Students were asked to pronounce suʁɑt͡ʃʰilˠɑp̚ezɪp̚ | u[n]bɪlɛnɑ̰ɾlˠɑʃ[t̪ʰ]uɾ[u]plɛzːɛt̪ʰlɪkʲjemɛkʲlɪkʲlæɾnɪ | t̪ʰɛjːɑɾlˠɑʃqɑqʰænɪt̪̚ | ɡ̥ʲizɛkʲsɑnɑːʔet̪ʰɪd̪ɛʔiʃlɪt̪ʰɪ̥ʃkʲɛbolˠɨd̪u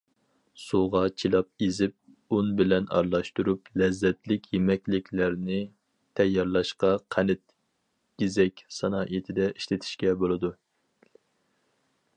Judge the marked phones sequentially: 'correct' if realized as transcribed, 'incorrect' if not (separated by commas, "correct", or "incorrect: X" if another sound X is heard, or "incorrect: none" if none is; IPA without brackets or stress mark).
correct, incorrect: t̪, correct